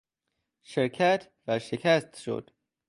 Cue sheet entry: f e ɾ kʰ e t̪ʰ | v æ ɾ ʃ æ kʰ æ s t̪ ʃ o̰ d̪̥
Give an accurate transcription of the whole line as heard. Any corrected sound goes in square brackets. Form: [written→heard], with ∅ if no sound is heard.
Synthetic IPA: [f→ʃ] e ɾ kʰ [e→æ] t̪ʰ | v æ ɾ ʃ [æ→e] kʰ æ s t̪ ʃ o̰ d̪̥